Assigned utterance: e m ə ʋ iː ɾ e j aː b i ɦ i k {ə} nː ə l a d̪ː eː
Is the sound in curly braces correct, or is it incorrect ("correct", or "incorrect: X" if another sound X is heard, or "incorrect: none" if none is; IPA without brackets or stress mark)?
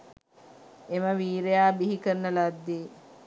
correct